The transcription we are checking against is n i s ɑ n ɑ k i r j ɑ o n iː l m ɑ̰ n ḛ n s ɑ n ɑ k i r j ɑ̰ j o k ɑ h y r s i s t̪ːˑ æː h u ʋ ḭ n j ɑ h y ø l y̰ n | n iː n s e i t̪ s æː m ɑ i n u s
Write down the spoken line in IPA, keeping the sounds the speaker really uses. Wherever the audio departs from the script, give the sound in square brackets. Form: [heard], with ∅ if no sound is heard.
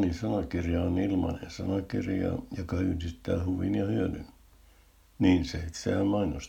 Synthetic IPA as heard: n i s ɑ n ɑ k i r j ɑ o n [i] l m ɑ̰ n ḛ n s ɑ n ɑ k i r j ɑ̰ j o k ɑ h y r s i s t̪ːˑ æː h u ʋ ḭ n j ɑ h y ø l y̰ n | n iː n s e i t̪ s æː m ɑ i n [o] s